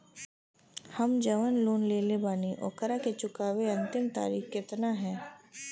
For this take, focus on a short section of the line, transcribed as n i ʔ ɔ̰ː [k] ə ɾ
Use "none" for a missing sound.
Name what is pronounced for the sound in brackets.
k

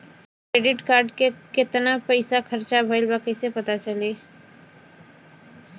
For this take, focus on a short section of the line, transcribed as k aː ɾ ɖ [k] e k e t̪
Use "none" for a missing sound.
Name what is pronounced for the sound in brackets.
k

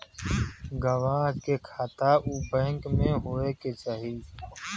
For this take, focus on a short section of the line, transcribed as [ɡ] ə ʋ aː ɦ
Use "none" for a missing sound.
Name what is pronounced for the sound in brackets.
ɡ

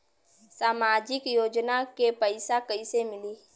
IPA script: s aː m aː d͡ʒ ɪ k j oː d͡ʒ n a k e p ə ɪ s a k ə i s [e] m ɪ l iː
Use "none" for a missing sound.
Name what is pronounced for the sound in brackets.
e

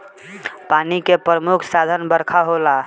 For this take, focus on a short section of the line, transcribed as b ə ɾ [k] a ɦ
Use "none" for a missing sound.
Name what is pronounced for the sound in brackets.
kʰ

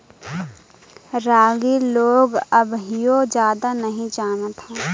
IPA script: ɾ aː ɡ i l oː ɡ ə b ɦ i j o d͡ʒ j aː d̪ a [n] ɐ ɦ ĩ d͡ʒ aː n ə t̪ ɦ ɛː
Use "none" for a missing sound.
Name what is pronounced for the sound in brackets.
n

